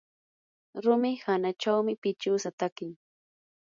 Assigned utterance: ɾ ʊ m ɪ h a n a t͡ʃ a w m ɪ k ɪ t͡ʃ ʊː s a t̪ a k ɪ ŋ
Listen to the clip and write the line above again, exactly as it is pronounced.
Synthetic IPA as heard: ɾ ʊ m ɪ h a n a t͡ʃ a w m ɪ p ɪ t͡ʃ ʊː s a t̪ a k ɪ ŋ